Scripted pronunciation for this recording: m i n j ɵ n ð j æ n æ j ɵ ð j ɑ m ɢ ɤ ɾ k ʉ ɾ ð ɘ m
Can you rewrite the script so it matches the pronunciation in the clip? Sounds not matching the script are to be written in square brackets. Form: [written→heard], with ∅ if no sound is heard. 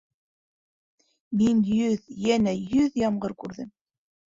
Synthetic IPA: m i n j ɵ [n→∅] ð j æ n æ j ɵ ð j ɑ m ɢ ɤ ɾ k ʉ ɾ ð ɘ m